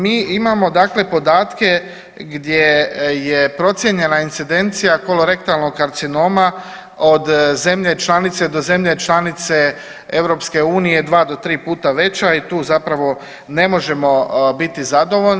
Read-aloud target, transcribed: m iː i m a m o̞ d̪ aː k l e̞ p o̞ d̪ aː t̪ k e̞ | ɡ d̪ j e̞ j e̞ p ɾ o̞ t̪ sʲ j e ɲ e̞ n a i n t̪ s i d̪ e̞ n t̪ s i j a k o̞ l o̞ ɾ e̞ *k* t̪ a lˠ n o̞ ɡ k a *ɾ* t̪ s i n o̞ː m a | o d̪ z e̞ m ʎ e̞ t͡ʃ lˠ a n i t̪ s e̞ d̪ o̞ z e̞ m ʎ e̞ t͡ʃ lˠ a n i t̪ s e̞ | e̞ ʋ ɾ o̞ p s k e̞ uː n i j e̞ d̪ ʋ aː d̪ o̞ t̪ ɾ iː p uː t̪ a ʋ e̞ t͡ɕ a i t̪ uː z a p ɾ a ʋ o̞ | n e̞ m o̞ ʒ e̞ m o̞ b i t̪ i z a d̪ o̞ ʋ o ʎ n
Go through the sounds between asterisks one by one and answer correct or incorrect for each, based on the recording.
correct, correct

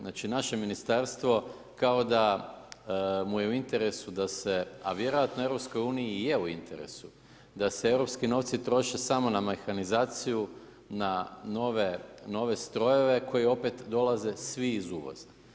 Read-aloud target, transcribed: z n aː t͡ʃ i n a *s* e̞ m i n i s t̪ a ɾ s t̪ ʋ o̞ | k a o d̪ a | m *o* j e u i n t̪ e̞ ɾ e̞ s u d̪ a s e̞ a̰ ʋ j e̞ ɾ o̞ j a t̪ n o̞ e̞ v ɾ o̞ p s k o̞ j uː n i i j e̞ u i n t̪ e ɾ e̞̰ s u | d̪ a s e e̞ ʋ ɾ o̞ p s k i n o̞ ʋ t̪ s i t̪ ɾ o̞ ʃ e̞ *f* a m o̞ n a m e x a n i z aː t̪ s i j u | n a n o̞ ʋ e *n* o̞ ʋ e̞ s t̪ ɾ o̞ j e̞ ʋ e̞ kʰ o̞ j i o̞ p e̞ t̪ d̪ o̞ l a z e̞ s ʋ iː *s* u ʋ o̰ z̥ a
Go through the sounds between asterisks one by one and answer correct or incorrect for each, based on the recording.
incorrect, incorrect, incorrect, correct, incorrect

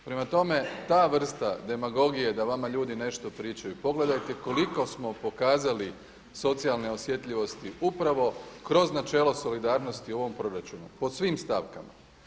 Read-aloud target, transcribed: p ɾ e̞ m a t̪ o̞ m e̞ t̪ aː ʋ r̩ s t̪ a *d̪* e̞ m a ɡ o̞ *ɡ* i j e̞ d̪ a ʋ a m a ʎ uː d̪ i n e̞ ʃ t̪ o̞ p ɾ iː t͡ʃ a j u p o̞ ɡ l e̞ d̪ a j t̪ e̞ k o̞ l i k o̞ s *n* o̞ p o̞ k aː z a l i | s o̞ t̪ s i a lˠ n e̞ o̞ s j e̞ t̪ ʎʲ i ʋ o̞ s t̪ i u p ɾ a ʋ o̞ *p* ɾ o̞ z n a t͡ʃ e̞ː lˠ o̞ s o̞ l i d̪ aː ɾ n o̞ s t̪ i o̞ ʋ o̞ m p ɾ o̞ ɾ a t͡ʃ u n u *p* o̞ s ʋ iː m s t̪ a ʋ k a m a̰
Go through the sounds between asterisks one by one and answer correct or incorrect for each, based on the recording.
correct, correct, incorrect, incorrect, correct

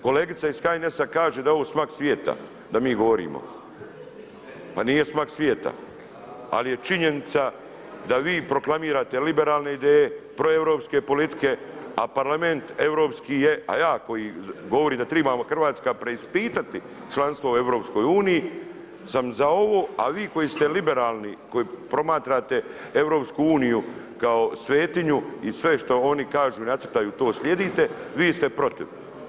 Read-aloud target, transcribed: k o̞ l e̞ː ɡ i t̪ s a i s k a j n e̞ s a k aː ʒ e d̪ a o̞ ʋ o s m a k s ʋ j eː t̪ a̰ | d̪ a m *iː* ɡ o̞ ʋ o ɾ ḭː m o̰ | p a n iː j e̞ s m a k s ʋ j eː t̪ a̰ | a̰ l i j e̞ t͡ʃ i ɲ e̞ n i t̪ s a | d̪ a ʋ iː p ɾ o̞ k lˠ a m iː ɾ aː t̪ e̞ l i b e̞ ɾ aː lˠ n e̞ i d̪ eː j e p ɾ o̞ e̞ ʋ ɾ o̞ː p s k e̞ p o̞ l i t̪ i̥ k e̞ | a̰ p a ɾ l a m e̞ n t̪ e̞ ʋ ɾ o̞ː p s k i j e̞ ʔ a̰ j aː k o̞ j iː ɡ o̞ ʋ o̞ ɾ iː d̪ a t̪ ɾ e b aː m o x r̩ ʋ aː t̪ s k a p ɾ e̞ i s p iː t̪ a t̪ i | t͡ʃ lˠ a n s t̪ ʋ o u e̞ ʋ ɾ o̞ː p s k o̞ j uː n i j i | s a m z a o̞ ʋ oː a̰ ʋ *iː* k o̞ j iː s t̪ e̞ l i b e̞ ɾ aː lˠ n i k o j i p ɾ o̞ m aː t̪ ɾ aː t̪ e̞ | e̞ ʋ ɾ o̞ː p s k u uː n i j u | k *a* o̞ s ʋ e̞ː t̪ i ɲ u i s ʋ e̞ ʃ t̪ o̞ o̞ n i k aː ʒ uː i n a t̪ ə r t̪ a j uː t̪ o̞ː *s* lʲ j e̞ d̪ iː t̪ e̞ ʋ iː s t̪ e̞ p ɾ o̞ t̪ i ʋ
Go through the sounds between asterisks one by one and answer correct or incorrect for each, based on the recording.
correct, correct, correct, correct

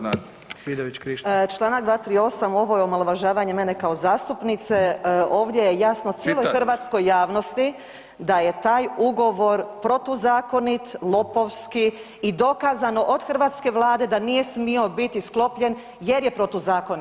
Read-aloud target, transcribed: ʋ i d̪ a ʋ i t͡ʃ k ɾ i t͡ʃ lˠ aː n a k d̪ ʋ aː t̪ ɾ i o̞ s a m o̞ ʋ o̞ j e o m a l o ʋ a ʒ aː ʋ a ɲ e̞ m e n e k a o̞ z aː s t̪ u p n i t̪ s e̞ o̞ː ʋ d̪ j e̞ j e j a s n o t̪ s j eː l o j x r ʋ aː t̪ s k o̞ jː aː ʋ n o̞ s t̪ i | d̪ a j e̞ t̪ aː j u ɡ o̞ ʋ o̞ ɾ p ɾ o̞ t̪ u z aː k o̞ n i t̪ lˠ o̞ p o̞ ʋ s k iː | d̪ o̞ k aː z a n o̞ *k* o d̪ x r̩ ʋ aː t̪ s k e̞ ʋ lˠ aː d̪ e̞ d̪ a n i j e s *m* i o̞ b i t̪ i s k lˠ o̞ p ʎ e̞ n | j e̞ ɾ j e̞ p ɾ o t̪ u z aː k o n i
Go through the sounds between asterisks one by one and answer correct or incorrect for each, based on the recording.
incorrect, correct

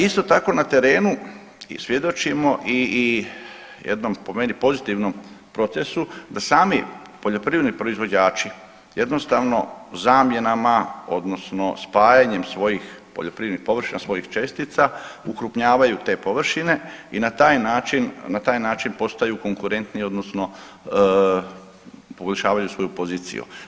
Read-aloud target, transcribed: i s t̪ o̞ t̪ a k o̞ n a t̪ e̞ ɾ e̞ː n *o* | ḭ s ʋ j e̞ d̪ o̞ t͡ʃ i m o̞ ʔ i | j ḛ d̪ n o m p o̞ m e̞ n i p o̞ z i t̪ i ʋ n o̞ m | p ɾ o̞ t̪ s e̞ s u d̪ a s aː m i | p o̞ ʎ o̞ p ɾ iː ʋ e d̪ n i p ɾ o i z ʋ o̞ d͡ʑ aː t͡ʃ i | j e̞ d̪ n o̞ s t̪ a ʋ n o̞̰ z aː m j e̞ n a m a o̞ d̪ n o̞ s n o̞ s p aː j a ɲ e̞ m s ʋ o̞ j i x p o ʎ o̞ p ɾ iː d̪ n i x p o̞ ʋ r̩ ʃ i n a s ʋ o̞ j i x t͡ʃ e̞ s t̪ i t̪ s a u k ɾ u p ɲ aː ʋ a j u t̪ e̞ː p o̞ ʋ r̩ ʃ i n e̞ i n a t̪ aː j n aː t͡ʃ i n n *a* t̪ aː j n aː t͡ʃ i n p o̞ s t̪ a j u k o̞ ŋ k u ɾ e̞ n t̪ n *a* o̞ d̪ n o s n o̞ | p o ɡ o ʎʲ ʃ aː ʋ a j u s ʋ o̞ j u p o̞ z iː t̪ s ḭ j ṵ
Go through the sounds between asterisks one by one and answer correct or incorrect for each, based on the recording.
incorrect, correct, incorrect

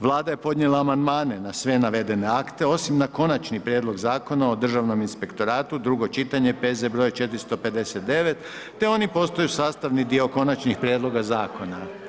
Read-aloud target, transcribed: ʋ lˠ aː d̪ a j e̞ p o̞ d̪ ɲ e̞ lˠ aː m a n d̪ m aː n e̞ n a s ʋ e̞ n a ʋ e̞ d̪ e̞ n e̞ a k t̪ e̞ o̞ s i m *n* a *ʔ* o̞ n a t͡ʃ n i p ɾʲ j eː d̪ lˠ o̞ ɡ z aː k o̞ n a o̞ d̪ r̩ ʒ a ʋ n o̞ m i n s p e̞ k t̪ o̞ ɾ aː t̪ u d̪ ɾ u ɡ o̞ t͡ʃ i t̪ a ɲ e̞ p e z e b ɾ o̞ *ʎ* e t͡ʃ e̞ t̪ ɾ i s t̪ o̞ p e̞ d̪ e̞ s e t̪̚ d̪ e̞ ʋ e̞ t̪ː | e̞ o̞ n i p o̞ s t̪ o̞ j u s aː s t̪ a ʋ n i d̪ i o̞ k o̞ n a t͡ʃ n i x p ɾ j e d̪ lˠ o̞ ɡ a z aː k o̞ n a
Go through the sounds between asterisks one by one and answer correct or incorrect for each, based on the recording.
correct, incorrect, incorrect

